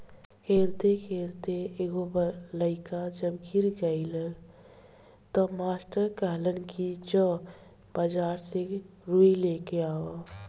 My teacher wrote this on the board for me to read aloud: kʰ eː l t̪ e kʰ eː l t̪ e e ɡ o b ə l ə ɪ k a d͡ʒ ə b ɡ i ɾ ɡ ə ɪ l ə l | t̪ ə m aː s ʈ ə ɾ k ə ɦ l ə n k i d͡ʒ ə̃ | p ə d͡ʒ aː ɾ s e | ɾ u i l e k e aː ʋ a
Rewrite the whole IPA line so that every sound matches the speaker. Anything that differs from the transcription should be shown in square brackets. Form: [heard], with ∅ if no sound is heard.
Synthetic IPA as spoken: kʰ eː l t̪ e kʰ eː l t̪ e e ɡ o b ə l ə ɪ k a d͡ʒ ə b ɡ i ɾ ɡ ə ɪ l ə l | t̪ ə m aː s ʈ ə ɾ k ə ɦ l ə n k i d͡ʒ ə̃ | [b] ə d͡ʒ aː ɾ s e | ɾ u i l e k e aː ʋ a